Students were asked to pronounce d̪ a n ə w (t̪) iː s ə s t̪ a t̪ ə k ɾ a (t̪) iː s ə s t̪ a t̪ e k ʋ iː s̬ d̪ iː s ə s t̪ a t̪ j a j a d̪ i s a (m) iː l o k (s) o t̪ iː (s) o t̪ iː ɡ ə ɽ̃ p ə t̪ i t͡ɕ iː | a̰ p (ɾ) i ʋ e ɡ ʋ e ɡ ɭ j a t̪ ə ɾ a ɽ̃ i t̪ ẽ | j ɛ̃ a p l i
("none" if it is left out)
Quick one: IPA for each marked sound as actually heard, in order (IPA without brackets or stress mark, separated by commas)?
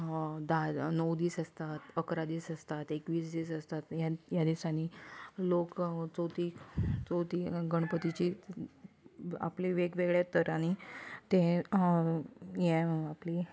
d̪, d̪, n, t͡s, t͡s, l